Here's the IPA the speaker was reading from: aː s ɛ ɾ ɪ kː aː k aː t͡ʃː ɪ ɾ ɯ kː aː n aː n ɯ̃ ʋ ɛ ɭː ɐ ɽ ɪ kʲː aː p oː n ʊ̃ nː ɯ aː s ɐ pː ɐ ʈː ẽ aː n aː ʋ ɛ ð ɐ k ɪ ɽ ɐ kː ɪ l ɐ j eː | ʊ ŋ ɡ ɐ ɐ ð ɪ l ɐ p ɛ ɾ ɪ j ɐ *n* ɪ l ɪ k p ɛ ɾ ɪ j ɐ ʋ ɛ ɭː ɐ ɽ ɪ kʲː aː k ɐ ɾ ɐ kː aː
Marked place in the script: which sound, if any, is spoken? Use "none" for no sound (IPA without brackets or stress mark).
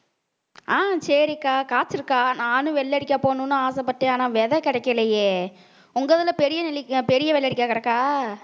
n